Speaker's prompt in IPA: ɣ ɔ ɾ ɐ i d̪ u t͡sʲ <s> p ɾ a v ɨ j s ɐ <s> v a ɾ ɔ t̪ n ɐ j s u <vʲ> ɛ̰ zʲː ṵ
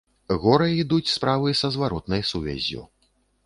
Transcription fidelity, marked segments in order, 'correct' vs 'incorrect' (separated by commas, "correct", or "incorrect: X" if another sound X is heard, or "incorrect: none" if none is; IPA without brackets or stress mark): correct, incorrect: z, correct